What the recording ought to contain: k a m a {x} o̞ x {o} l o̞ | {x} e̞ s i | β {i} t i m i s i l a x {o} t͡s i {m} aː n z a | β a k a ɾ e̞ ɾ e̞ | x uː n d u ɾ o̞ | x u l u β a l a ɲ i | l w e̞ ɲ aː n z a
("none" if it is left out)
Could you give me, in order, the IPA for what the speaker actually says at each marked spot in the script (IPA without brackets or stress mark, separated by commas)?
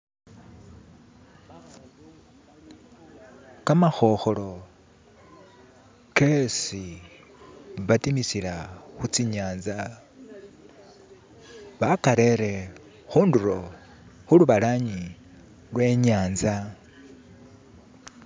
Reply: x, o, k, a, u, ɲ